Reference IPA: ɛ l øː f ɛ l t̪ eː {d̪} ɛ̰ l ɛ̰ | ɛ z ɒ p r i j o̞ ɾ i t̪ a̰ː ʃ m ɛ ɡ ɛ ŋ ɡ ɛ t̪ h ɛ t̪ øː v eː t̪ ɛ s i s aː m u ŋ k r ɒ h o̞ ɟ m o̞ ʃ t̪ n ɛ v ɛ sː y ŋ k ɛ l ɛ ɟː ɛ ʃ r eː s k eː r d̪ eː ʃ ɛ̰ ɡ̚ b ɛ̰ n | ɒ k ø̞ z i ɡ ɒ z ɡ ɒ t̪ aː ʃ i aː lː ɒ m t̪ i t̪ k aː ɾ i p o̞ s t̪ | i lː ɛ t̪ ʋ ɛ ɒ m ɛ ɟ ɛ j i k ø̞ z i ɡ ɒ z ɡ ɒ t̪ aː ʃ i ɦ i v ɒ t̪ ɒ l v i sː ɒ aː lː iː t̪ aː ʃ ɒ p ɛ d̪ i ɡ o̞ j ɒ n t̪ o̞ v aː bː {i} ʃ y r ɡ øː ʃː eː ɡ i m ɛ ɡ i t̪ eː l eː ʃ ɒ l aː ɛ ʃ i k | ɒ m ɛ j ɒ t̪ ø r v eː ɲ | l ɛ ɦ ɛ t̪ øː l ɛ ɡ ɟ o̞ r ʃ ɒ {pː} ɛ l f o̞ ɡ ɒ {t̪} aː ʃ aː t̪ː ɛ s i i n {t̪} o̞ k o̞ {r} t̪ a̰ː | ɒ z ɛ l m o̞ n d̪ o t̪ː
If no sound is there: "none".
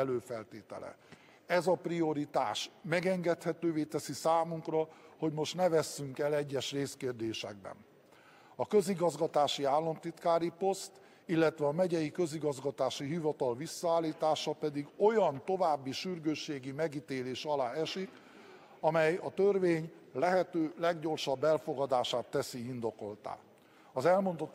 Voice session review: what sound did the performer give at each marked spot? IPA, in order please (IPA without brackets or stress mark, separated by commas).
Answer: t̪, i, bː, d̪, d̪, l